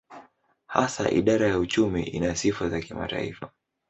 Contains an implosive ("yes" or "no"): yes